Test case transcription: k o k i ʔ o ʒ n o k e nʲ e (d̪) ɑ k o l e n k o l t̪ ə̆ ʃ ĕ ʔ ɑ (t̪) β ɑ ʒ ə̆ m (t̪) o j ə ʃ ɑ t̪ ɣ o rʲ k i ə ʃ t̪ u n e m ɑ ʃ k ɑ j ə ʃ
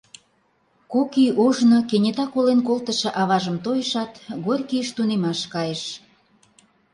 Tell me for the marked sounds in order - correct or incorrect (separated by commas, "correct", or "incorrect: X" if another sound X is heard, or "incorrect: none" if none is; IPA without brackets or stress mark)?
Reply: incorrect: t̪, incorrect: none, correct